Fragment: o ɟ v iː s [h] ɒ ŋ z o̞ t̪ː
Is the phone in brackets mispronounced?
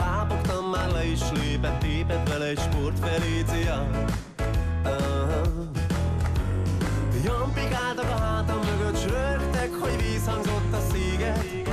no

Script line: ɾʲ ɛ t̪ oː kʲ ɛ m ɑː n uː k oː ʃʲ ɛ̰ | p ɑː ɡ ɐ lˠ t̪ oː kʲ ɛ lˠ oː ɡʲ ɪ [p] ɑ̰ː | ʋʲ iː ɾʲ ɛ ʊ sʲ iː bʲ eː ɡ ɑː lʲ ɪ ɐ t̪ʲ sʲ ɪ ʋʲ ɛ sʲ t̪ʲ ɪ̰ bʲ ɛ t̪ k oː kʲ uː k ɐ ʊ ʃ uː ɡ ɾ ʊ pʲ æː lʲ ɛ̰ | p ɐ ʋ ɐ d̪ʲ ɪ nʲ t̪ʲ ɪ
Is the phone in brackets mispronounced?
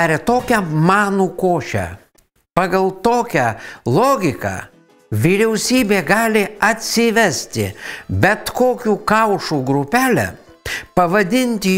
yes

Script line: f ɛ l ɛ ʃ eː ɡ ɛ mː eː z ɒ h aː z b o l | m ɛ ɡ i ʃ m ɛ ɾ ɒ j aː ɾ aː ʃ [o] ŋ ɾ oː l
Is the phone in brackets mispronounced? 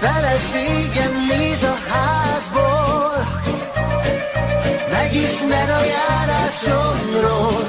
no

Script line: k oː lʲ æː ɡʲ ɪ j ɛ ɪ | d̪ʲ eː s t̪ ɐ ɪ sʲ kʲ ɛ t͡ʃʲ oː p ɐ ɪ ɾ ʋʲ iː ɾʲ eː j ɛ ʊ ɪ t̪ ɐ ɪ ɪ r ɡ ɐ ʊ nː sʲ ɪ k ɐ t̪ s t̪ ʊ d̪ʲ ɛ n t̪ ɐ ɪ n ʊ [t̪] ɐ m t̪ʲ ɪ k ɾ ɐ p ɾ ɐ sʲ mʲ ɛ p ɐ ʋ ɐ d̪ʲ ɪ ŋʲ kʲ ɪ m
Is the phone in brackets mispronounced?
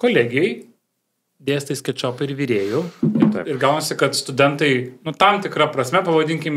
no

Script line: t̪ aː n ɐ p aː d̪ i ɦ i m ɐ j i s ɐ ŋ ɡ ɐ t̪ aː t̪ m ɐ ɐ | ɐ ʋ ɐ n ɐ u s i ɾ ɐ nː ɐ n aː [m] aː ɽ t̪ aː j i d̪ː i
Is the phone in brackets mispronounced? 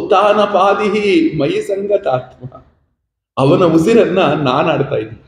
yes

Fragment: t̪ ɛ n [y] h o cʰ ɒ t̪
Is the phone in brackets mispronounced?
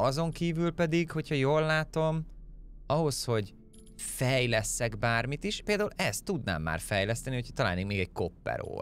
yes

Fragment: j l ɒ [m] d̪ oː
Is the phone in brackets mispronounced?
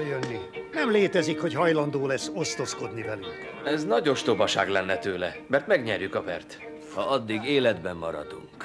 yes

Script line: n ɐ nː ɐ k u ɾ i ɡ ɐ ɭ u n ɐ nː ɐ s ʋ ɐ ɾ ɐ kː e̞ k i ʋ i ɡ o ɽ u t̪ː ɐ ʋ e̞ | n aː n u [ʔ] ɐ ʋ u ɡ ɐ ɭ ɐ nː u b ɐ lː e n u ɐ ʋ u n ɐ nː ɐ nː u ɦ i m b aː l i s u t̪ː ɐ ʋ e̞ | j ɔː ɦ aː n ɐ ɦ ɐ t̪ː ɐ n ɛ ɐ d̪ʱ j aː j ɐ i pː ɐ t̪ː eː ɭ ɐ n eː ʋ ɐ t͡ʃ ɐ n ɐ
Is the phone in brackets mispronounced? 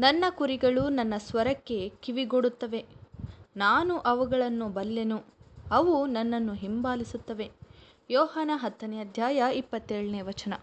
no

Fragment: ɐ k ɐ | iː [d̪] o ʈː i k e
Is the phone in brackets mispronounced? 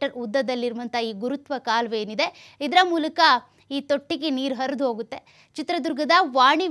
yes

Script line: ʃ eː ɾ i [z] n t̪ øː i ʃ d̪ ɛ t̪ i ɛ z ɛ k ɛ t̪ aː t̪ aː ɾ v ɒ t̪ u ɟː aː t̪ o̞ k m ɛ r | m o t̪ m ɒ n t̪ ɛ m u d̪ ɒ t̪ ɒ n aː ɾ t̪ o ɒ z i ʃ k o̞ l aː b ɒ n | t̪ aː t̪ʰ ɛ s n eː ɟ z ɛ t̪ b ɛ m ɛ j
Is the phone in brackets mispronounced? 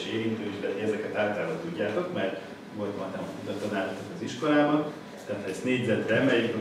yes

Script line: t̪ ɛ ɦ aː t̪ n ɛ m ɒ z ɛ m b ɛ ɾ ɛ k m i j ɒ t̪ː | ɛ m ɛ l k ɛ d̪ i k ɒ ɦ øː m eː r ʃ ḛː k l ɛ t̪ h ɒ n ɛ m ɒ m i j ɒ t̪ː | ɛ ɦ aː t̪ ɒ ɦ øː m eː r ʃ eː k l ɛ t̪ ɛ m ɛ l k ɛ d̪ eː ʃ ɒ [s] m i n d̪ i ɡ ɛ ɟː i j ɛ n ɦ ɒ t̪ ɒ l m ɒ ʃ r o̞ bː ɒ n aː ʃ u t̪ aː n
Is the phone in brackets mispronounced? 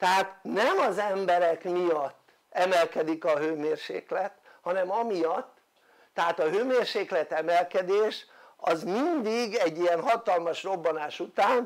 yes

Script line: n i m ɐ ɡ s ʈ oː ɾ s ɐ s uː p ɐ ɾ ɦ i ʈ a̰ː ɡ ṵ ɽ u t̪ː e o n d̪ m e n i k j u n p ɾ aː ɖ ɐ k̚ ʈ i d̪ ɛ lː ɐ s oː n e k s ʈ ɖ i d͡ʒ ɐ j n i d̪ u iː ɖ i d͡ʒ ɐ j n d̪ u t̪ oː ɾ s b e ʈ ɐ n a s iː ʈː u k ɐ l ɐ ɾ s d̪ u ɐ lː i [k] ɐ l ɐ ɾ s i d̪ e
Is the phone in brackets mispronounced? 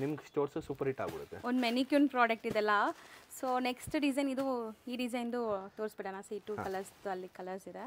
no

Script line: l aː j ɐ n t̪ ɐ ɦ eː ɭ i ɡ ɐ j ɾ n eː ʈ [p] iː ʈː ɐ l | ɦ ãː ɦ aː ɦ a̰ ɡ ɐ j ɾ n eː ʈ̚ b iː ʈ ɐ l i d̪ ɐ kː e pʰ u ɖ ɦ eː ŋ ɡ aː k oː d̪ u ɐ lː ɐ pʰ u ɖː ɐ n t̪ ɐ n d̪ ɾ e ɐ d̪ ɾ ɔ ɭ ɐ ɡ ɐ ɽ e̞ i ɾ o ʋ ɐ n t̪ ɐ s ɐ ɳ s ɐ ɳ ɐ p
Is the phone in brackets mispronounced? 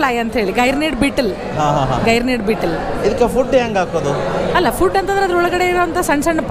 yes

